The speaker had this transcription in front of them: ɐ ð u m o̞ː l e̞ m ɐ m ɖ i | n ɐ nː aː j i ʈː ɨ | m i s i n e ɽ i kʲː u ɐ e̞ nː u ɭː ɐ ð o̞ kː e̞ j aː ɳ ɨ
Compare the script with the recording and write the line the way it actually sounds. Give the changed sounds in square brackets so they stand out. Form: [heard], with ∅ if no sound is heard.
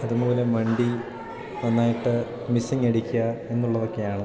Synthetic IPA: ɐ ð u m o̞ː l e̞ m ɐ [ɳ] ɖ i | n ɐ nː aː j i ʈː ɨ | m i s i [ŋ] e ɽ i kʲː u ɐ e̞ nː u ɭː ɐ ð o̞ kː e̞ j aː ɳ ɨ